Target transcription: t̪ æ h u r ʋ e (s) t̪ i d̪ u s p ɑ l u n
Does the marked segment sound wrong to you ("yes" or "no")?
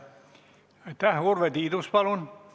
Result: yes